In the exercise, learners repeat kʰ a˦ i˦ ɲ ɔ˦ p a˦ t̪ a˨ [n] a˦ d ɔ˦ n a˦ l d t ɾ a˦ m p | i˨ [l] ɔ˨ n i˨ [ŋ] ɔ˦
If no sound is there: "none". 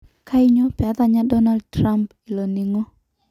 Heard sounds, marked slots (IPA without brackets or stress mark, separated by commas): ɲ, l, ŋ